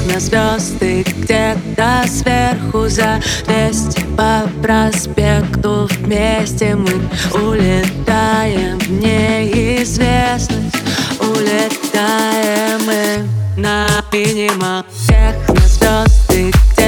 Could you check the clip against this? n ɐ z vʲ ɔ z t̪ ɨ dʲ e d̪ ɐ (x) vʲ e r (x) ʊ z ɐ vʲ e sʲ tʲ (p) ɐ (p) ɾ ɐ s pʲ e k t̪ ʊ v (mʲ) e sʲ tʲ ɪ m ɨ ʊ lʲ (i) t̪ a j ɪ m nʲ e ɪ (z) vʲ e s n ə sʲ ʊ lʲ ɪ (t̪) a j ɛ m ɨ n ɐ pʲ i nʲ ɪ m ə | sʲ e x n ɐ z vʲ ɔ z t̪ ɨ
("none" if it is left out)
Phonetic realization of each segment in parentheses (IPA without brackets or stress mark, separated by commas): s, x, p, p, mʲ, ɪ, z, t̪